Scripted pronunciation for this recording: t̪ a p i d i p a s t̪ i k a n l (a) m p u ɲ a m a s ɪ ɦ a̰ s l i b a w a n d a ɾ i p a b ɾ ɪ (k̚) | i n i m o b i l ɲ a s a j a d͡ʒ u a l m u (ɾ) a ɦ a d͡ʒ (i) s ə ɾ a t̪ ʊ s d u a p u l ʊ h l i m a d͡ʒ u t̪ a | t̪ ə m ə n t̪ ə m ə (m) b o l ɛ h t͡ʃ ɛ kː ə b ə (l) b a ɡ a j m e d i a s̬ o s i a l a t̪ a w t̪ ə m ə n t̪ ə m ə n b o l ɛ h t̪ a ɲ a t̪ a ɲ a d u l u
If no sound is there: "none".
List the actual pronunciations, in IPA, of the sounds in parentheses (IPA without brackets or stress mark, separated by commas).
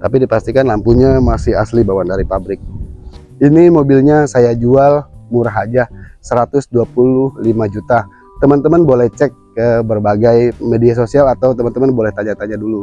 a, k̚, ɾ, a, n, r